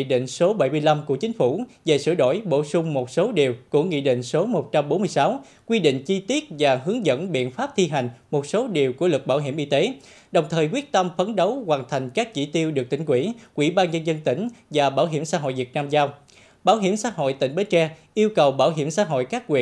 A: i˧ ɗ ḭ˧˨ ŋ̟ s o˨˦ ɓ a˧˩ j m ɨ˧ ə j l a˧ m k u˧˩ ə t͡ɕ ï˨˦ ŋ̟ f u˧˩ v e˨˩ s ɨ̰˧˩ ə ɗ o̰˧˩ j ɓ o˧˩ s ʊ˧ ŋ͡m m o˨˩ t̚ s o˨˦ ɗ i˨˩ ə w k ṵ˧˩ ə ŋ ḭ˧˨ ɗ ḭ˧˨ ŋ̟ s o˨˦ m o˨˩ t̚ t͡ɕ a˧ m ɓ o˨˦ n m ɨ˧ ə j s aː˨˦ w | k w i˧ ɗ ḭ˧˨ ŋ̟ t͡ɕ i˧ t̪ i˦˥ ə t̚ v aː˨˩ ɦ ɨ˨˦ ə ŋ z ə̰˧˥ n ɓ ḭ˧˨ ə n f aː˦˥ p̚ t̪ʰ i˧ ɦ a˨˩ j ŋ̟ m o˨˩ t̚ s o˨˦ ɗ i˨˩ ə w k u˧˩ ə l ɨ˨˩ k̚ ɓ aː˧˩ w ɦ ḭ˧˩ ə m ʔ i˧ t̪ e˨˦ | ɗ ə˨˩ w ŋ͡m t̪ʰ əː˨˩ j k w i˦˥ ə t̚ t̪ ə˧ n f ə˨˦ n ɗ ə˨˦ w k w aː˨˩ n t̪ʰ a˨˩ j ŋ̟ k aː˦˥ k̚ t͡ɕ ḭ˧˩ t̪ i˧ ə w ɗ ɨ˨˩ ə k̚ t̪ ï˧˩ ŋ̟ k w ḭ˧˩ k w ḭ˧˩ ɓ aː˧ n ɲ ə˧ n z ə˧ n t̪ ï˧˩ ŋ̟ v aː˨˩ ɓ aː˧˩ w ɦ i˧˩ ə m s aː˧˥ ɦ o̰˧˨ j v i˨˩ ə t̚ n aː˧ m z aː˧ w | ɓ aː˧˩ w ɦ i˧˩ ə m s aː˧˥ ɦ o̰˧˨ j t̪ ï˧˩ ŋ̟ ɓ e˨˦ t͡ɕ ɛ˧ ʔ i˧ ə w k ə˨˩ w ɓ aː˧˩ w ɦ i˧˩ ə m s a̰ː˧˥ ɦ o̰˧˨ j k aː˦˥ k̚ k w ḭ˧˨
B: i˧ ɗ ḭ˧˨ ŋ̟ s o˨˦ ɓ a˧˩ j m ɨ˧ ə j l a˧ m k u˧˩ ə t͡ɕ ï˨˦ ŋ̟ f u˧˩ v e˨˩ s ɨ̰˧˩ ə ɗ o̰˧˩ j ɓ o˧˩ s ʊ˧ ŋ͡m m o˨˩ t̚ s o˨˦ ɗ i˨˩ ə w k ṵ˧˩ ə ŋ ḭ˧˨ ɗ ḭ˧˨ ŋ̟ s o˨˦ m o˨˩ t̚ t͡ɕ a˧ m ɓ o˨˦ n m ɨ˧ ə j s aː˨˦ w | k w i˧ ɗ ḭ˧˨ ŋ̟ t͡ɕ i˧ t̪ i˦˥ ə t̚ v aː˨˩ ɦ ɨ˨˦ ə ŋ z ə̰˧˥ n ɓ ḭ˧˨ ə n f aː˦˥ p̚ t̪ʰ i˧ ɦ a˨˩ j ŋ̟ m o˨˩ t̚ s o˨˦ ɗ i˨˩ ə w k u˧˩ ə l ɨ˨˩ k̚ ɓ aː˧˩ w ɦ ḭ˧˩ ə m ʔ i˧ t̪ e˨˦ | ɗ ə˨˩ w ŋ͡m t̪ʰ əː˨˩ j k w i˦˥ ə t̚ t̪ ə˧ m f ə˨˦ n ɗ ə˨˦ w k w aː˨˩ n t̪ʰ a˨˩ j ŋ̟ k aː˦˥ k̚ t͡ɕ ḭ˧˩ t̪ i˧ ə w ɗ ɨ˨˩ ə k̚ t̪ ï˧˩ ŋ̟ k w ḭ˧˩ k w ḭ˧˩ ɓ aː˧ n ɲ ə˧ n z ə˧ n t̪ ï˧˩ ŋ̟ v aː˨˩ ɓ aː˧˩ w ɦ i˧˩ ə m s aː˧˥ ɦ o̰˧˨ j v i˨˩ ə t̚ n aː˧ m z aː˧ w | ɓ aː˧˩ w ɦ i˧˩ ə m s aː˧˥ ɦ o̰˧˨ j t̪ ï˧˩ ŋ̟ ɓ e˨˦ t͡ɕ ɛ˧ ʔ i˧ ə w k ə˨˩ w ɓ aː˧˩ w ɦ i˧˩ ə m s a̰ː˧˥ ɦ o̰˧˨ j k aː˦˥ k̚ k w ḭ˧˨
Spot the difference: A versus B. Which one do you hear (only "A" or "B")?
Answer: B